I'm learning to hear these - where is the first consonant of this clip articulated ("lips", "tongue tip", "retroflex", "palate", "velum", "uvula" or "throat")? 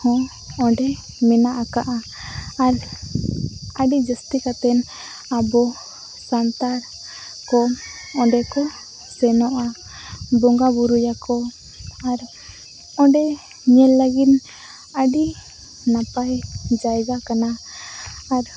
throat